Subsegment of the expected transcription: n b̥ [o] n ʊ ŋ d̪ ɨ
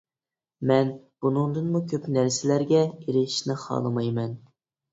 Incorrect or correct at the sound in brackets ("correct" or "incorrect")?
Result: incorrect